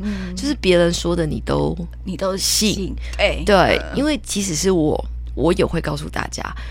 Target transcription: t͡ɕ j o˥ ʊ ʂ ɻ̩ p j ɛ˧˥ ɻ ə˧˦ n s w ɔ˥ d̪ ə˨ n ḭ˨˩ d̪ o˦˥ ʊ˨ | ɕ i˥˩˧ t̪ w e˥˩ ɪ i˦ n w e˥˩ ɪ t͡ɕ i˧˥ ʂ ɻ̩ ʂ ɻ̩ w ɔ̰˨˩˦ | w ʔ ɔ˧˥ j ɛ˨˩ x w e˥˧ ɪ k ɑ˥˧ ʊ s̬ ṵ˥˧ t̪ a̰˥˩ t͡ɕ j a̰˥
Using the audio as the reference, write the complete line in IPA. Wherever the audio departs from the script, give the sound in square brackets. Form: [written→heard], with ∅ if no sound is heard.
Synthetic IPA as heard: t͡ɕ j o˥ ʊ ʂ ɻ̩ p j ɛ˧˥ ɻ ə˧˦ n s w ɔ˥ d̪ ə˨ n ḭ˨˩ [d̪→t̪] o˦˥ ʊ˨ | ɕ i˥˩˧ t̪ w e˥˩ ɪ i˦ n w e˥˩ ɪ t͡ɕ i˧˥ ʂ ɻ̩ ʂ ɻ̩ w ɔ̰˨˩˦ | w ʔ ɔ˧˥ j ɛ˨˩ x w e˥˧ ɪ k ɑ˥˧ ʊ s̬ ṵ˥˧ t̪ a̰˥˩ t͡ɕ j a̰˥